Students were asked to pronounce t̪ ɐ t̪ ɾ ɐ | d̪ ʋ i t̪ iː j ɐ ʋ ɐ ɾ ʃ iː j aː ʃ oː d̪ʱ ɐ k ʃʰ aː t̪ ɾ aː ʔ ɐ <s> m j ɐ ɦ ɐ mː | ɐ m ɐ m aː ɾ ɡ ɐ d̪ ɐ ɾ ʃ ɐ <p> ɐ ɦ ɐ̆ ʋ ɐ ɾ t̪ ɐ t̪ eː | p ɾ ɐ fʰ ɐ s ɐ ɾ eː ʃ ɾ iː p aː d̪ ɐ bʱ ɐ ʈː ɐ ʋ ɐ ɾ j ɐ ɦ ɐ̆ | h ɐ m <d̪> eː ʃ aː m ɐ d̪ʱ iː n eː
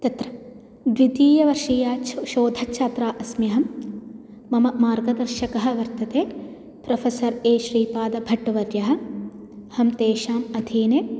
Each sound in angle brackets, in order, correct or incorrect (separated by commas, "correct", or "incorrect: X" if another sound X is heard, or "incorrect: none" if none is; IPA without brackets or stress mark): correct, incorrect: k, incorrect: t̪